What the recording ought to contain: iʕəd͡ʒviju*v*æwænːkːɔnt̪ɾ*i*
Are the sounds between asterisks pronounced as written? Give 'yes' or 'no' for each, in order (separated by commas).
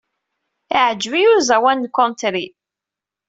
no, yes